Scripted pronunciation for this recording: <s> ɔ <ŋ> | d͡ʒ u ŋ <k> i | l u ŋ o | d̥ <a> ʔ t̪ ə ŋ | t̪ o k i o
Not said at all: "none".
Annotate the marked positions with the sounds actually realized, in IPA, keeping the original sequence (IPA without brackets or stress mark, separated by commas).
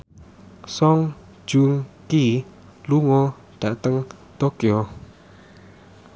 s, ŋ, k, a